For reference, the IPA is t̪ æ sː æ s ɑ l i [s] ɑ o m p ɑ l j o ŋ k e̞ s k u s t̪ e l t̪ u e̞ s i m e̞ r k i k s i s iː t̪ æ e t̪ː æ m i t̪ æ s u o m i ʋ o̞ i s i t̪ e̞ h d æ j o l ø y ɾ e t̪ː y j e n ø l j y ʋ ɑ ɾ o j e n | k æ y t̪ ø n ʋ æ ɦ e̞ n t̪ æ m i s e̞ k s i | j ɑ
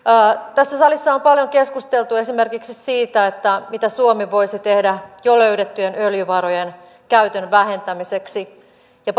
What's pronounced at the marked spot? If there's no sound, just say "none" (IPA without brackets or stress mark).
sː